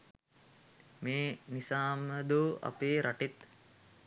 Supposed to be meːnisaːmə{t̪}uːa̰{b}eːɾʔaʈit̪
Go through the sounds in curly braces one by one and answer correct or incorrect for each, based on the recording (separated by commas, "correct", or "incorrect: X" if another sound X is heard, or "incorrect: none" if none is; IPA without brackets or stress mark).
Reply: incorrect: d̪, incorrect: p